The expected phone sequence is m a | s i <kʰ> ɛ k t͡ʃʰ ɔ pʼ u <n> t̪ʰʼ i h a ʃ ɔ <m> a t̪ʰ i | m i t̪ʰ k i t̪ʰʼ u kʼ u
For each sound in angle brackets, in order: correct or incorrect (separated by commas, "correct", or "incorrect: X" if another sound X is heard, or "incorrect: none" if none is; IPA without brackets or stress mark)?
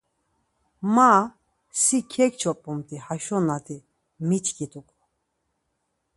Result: correct, incorrect: m, incorrect: n